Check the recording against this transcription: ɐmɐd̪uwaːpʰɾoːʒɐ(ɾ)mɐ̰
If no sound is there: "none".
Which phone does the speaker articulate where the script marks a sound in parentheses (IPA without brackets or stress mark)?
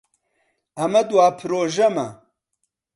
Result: none